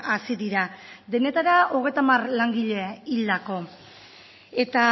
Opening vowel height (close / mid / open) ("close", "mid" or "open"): open